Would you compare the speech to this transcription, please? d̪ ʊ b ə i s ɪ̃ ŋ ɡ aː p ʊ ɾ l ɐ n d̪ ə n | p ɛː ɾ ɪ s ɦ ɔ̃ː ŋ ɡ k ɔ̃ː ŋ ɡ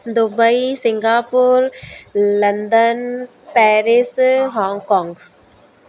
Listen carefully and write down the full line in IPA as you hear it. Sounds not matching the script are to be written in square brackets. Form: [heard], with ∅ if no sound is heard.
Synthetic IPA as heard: d̪ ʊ b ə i s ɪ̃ ŋ ɡ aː p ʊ ɾ l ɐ n d̪ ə n | p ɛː ɾ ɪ s ɦ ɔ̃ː ŋ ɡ k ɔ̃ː ŋ ɡ

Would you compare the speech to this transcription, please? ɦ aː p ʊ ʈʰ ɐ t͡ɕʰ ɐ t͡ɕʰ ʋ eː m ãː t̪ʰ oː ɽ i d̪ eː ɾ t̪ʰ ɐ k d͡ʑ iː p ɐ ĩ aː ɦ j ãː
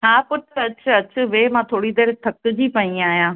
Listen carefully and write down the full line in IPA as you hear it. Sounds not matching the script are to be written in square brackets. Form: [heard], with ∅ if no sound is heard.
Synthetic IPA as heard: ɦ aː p ʊ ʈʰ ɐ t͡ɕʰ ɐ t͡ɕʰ ʋ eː m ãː t̪ʰ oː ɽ i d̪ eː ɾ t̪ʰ ɐ k d͡ʑ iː p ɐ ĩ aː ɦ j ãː

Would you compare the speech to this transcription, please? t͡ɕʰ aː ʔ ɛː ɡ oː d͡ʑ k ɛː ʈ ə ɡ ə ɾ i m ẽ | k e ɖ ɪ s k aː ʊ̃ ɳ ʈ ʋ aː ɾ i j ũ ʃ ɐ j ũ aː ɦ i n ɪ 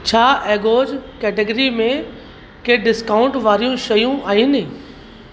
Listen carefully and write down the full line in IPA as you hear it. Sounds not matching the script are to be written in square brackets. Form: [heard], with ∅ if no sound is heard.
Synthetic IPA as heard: t͡ɕʰ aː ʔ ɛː ɡ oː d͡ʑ k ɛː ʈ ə ɡ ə ɾ i m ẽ | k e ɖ ɪ s k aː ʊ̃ ɳ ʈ ʋ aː ɾ i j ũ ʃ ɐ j ũ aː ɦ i n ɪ

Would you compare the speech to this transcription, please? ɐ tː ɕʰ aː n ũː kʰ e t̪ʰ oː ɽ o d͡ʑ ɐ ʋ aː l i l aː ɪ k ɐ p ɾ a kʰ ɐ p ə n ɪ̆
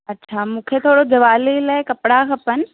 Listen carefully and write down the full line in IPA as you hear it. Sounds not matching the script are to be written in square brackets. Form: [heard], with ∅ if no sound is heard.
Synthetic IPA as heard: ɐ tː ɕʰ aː [m] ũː kʰ e t̪ʰ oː ɽ o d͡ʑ ɐ ʋ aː l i l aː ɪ k ɐ p [ɽ] a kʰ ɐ p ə n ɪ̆

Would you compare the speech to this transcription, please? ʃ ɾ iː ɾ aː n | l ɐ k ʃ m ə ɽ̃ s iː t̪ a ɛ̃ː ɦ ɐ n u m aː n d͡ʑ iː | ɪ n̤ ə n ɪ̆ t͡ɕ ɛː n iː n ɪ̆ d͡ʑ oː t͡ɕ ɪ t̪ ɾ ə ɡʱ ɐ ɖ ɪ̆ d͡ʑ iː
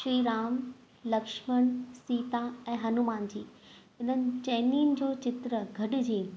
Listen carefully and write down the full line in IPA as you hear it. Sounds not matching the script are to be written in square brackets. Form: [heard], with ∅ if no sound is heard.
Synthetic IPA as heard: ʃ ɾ iː ɾ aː [m] | l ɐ k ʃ m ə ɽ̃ s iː t̪ a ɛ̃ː ɦ ɐ n u m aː n d͡ʑ iː | ɪ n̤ ə n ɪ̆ t͡ɕ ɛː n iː n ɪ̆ d͡ʑ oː t͡ɕ ɪ t̪ ɾ ə ɡʱ ɐ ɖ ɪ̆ d͡ʑ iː

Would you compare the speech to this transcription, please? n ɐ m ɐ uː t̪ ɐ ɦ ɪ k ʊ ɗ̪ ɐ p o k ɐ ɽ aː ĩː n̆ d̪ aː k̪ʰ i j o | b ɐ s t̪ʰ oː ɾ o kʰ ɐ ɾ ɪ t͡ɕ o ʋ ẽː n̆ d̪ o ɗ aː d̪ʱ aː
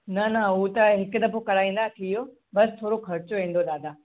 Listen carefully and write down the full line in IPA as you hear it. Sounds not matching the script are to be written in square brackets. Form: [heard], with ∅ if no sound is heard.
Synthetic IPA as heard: n ɐ [n] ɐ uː t̪ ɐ ɦ ɪ k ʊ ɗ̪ ɐ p o k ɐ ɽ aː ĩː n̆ d̪ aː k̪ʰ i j o | b ɐ s t̪ʰ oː ɾ o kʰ ɐ ɾ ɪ t͡ɕ o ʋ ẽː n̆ d̪ o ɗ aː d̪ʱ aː

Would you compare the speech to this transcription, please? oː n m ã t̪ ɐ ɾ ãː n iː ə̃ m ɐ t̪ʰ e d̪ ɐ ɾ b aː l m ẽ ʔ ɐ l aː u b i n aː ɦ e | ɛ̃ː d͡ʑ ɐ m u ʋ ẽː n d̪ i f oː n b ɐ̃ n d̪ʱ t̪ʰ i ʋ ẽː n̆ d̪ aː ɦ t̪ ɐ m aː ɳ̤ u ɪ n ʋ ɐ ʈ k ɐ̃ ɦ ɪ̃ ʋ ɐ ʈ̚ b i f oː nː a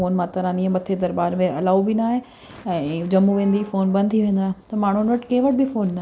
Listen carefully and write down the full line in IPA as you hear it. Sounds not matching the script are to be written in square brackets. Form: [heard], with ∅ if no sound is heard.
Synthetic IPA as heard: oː n m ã t̪ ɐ ɾ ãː n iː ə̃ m ɐ t̪ʰ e d̪ ɐ ɾ b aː [ɾ] m ẽ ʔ ɐ l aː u b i n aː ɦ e | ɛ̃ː d͡ʑ ɐ m u ʋ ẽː n d̪ i f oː n b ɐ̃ n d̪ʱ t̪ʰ i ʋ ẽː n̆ d̪ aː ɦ t̪ ɐ m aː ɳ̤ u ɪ n ʋ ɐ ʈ k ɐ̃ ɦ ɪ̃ ʋ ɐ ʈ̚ b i f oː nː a

